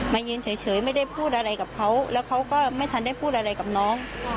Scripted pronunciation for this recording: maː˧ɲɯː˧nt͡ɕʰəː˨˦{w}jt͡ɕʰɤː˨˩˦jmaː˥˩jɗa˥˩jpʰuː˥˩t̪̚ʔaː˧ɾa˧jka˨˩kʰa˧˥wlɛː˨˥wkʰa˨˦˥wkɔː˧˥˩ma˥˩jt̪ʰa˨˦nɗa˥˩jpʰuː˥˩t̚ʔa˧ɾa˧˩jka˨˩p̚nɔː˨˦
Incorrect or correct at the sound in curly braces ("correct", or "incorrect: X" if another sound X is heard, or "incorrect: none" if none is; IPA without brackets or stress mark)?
incorrect: none